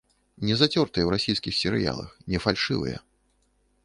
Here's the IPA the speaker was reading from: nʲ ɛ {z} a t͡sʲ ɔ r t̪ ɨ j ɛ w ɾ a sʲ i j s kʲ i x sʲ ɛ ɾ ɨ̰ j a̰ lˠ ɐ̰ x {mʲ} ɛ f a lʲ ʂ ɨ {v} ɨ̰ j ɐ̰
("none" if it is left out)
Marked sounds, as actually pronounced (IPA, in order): z, nʲ, v

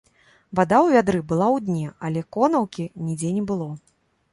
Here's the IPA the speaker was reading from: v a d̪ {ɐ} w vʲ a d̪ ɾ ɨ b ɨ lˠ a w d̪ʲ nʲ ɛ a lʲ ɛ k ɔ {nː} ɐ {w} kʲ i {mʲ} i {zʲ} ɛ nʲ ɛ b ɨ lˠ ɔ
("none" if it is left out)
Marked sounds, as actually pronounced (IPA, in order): a, n, w, nʲ, d͡zʲ

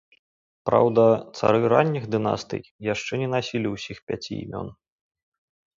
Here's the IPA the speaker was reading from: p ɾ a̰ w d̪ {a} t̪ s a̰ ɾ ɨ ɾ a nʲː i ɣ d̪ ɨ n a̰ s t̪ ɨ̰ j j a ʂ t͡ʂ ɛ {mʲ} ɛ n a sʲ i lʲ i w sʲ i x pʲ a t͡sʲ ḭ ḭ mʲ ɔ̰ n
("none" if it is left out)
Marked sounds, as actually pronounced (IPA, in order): ɐ, nʲ

